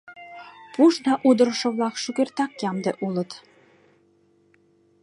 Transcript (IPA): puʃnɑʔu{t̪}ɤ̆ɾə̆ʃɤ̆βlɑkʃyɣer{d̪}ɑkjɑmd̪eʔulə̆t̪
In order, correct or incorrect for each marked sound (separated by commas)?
incorrect, incorrect